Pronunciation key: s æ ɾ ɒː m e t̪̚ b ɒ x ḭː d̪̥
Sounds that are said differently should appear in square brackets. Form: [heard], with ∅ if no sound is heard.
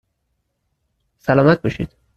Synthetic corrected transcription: s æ [l] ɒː m [æ] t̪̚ b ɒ [ʃ] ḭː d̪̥